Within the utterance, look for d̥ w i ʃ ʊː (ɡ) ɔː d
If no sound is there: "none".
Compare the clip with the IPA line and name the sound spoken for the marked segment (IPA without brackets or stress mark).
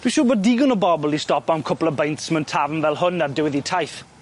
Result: b